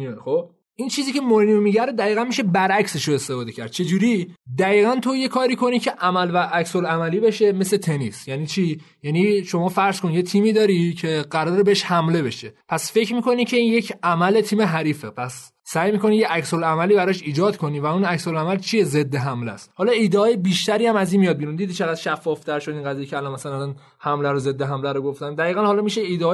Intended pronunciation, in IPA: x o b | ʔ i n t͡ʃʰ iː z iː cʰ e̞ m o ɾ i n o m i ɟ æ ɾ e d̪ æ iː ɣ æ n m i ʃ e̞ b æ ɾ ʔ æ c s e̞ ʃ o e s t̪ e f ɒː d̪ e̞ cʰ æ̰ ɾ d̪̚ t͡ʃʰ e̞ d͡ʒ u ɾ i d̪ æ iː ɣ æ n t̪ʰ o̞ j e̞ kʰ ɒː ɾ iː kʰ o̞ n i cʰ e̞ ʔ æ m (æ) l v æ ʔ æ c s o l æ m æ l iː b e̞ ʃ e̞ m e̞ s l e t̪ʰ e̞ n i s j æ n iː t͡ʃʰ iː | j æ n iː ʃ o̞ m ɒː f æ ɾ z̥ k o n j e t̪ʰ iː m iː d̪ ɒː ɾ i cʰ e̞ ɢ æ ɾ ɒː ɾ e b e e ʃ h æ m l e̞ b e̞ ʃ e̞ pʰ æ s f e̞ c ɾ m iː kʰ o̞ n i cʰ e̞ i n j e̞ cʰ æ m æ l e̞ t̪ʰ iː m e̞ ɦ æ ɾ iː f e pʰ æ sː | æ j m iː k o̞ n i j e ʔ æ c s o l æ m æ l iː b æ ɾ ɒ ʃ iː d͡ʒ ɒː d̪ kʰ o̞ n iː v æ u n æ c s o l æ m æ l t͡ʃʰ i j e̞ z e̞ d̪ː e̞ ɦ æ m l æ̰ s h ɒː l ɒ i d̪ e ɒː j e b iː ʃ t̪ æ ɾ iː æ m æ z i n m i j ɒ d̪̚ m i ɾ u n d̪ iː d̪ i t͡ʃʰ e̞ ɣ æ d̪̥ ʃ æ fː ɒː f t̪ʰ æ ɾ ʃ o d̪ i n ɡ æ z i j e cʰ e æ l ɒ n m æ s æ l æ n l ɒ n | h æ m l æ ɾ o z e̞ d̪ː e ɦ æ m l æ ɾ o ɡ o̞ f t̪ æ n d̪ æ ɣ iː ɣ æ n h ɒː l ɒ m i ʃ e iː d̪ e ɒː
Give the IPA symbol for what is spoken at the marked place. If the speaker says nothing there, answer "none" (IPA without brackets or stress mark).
æ